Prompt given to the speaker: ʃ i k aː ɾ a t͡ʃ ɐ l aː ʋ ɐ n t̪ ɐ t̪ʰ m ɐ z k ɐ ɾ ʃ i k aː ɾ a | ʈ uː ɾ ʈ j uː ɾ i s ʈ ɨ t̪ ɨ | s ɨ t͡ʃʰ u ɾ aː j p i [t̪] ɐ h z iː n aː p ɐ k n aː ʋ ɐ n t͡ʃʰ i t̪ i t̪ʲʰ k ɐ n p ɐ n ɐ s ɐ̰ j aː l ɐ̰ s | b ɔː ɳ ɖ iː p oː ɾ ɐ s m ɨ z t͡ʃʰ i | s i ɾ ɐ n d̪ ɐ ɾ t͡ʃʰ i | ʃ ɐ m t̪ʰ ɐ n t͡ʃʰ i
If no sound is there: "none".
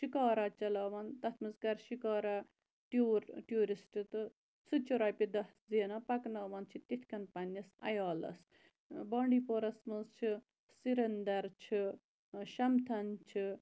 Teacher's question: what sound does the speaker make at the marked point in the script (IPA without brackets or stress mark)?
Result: d̪